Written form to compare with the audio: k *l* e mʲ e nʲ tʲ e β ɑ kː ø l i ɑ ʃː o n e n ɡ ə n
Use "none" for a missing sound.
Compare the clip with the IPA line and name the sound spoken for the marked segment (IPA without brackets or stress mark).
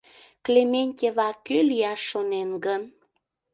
l